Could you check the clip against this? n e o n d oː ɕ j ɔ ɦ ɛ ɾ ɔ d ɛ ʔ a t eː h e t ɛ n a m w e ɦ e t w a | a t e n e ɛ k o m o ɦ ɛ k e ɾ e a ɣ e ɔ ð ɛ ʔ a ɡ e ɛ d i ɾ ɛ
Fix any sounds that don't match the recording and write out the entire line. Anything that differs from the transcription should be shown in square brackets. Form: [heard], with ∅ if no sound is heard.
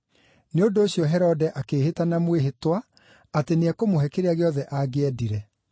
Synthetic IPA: n e o n d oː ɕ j ɔ ɦ ɛ ɾ ɔ d ɛ ʔ a [k] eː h e t [a] n a m w e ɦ e t w a | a t e n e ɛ k o m o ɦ ɛ k e ɾ e a ɣ e ɔ ð ɛ ʔ a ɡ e ɛ d i ɾ ɛ